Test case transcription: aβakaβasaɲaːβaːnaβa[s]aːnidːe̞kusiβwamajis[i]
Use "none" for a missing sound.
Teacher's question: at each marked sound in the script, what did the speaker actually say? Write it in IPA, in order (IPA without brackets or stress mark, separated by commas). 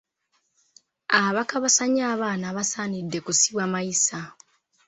s, a